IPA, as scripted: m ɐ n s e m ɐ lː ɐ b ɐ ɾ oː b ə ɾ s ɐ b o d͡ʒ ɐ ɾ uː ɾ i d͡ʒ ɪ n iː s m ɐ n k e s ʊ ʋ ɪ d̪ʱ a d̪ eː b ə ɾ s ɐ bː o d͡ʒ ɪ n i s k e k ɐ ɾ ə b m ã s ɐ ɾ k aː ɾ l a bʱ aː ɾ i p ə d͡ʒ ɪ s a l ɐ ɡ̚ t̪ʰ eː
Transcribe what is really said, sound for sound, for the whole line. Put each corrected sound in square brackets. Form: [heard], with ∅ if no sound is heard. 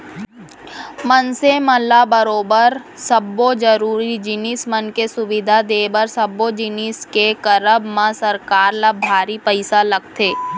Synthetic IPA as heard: m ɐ n s e m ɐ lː [a] b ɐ ɾ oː b ə ɾ s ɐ b o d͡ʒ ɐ ɾ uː ɾ i d͡ʒ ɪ n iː s m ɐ n k e s ʊ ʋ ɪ d̪ʱ a d̪ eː b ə ɾ s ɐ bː o d͡ʒ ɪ n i s k e k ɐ ɾ ə b m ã s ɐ ɾ k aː ɾ l a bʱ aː ɾ i p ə [∅] ɪ s a l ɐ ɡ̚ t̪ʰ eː